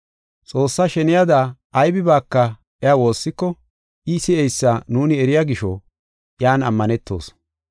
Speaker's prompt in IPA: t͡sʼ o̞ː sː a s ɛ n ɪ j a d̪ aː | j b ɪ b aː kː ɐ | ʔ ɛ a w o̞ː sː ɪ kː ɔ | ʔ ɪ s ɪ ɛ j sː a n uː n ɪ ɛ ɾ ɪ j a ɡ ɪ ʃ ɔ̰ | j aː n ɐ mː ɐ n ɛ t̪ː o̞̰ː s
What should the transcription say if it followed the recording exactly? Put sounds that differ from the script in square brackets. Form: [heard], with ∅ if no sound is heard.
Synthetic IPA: t͡sʼ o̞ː sː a [ʃ] ɛ n ɪ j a d̪ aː | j b ɪ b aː kː ɐ | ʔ ɛ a w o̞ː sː ɪ kː ɔ | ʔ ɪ s ɪ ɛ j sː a n uː n ɪ ɛ ɾ ɪ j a ɡ ɪ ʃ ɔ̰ | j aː n ɐ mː ɐ n ɛ t̪ː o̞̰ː s

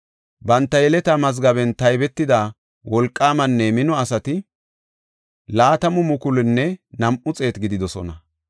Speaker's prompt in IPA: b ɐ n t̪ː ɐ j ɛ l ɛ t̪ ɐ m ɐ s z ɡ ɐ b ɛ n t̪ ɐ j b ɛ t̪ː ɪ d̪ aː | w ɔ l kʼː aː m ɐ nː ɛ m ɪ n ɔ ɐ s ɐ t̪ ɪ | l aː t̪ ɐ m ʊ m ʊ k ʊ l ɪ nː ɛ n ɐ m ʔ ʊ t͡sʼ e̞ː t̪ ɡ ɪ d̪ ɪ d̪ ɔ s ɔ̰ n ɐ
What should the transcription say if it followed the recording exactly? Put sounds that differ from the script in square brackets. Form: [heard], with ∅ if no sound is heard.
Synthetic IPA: b ɐ n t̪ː ɐ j ɛ l ɛ t̪ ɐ m ɐ [∅] z ɡ ɐ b ɛ n t̪ ɐ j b ɛ t̪ː ɪ d̪ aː | w ɔ l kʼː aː m ɐ nː ɛ m ɪ n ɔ ɐ s ɐ t̪ ɪ | l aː t̪ ɐ m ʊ m ʊ k ʊ l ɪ nː ɛ n ɐ m ʔ ʊ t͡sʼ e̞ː t̪ ɡ ɪ d̪ ɪ d̪ ɔ s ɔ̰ n ɐ

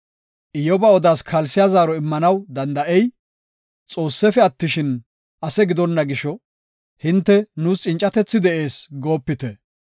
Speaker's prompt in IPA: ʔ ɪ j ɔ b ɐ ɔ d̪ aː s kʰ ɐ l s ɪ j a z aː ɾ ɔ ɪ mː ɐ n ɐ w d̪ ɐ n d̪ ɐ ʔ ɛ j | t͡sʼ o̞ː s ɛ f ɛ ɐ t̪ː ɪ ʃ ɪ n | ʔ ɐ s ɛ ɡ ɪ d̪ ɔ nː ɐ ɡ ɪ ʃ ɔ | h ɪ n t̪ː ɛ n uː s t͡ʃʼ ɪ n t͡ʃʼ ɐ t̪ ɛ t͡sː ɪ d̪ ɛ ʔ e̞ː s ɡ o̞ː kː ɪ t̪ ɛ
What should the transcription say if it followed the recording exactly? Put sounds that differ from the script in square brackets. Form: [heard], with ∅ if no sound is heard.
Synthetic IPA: ʔ ɪ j ɔ b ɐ ɔ d̪ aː s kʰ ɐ l s ɪ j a z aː ɾ ɔ ɪ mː ɐ n ɐ w d̪ ɐ n d̪ ɐ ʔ ɛ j | t͡sʼ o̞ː [sː] ɛ f ɛ ɐ t̪ː ɪ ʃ ɪ n | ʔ ɐ s ɛ ɡ ɪ d̪ ɔ nː ɐ ɡ ɪ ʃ ɔ | h ɪ n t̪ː ɛ n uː s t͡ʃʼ ɪ n t͡ʃʼ ɐ t̪ ɛ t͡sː ɪ d̪ ɛ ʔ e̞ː s ɡ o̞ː [pː] ɪ t̪ ɛ

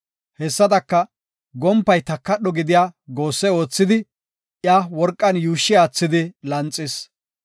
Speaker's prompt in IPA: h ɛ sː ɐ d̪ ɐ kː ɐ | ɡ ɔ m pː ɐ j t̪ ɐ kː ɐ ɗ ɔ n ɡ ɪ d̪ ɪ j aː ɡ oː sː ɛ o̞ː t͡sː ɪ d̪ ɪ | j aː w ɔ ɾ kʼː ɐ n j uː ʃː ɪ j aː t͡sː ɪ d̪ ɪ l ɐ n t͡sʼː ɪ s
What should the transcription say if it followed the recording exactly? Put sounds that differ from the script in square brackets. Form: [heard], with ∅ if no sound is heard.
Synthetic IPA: h ɛ sː ɐ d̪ ɐ kː ɐ | ɡ ɔ m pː ɐ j t̪ ɐ kː ɐ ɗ ɔ [∅] ɡ ɪ d̪ ɪ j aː ɡ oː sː ɛ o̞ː t͡sː ɪ d̪ ɪ | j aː w ɔ ɾ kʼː ɐ n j uː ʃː ɪ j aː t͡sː ɪ d̪ ɪ l ɐ n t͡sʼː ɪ s

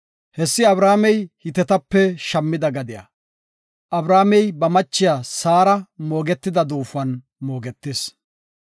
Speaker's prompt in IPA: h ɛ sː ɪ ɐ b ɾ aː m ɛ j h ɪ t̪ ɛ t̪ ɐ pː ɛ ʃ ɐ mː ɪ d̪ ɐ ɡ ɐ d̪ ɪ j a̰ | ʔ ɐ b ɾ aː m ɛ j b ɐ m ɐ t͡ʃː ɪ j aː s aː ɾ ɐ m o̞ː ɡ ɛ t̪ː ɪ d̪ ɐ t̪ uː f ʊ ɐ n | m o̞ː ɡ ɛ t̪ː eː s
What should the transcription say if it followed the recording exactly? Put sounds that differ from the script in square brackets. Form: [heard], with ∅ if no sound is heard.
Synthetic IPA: h ɛ sː ɪ ɐ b ɾ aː m ɛ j h ɪ t̪ ɛ t̪ ɐ pː ɛ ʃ ɐ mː ɪ d̪ ɐ ɡ ɐ d̪ ɪ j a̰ | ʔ ɐ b ɾ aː m ɛ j b ɐ m ɐ t͡ʃː ɪ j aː s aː ɾ ɐ m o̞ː ɡ ɛ t̪ː ɪ d̪ ɐ [d̪] uː f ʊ ɐ n | m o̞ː ɡ ɛ t̪ː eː s

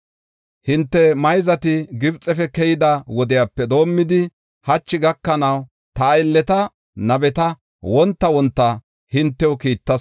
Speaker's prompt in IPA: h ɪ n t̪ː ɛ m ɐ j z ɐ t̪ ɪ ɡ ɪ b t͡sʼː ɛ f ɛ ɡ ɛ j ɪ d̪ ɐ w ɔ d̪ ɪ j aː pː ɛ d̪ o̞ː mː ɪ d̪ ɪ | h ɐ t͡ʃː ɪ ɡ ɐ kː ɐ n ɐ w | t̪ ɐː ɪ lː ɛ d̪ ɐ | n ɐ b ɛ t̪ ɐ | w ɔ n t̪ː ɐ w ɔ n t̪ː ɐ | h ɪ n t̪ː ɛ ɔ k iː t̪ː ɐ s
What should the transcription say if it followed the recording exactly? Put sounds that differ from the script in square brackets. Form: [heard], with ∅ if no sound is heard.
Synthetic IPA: h ɪ n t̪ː ɛ m ɐ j z ɐ t̪ ɪ ɡ ɪ b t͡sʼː ɛ f ɛ [k] ɛ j ɪ d̪ ɐ w ɔ d̪ ɪ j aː pː ɛ d̪ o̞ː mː ɪ d̪ ɪ | h ɐ t͡ʃː ɪ ɡ ɐ kː ɐ n ɐ w | t̪ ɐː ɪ lː ɛ [t̪] ɐ | n ɐ b ɛ t̪ ɐ | w ɔ n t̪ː ɐ w ɔ n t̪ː ɐ | h ɪ n t̪ː ɛ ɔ k iː t̪ː ɐ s

